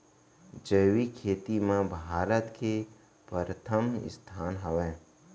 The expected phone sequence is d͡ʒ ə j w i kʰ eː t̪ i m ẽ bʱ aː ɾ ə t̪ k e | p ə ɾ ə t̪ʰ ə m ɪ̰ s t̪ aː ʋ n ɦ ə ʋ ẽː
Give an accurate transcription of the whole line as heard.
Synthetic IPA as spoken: d͡ʒ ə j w i kʰ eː t̪ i m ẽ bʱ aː ɾ ə t̪ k e | p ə ɾ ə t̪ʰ ə m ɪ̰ s t̪ʰ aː n ɦ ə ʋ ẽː